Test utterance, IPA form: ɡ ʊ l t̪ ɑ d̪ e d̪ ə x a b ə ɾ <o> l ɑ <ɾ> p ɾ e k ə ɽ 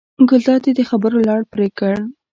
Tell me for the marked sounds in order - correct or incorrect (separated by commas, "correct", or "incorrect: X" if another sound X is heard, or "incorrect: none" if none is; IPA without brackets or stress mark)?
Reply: correct, incorrect: ɽ